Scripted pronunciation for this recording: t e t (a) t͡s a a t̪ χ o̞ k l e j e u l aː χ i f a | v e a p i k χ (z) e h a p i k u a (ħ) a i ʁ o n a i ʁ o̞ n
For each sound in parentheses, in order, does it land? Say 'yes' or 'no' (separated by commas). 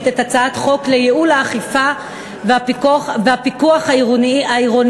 yes, no, no